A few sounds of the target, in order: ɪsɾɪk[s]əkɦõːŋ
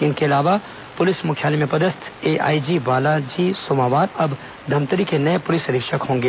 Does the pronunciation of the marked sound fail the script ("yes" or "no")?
yes